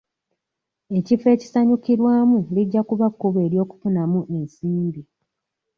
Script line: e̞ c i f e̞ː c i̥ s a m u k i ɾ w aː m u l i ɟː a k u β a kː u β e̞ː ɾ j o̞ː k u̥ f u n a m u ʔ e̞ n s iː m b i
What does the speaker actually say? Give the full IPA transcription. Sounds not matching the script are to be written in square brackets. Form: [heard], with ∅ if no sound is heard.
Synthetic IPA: e̞ c i f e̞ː c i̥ s a [ɲ] u k i ɾ w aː m u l i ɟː a k u β a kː u β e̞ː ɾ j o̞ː k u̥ f u n a m u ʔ e̞ n s iː m b i